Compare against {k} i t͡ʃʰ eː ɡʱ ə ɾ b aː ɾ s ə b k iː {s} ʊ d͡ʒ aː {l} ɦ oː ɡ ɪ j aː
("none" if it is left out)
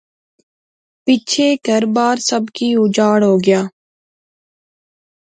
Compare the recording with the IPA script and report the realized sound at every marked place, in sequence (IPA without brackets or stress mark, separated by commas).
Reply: p, none, ɽ